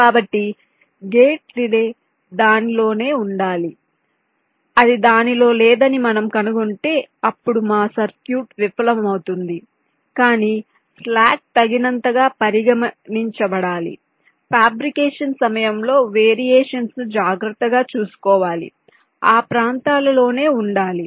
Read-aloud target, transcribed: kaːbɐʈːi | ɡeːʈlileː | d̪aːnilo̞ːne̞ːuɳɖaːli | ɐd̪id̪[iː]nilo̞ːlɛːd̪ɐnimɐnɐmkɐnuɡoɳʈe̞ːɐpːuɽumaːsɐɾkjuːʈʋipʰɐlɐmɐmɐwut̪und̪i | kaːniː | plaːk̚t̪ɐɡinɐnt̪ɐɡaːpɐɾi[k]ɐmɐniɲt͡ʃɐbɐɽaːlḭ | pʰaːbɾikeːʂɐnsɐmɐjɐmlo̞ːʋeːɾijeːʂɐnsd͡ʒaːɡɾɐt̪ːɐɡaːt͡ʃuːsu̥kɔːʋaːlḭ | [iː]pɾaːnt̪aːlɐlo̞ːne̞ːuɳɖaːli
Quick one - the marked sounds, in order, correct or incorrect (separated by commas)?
incorrect, incorrect, incorrect